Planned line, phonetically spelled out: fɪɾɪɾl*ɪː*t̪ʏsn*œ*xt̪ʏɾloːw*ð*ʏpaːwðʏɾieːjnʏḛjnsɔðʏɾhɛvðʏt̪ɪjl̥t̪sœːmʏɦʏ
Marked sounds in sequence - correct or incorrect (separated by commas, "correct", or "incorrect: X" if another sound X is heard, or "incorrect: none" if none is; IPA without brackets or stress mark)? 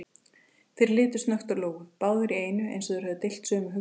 correct, correct, incorrect: ɣ